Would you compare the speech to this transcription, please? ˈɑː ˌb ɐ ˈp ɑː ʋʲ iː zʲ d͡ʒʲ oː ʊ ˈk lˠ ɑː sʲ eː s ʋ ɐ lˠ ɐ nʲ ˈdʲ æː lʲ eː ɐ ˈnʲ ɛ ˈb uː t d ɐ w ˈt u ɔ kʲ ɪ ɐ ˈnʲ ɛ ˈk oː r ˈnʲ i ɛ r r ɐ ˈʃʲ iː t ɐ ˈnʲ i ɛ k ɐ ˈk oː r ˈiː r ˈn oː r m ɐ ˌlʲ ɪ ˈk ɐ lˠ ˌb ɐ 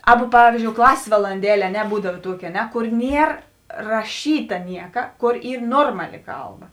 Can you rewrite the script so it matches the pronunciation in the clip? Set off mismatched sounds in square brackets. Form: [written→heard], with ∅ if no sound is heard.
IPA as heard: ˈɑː ˌb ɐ ˈp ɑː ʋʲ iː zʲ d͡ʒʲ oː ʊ ˈk lˠ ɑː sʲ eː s ʋ ɐ lˠ ɐ nʲ ˈdʲ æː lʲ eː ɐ ˈnʲ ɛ ˈb uː [t→∅] d ɐ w ˈt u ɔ kʲ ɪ ɐ ˈnʲ ɛ ˈk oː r ˈnʲ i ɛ r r ɐ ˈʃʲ iː t ɐ ˈnʲ i ɛ k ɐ ˈk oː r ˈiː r ˈn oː r m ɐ ˌlʲ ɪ ˈk ɐ lˠ ˌb ɐ